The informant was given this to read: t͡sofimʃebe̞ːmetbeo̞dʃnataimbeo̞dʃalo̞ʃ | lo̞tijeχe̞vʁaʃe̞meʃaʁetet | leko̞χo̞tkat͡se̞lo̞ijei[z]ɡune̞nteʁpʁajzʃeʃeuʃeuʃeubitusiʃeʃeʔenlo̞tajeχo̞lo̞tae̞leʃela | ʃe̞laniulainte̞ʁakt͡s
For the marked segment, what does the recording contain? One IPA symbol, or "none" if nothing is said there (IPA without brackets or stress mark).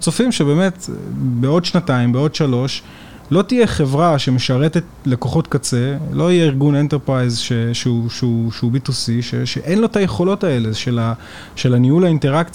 ʁ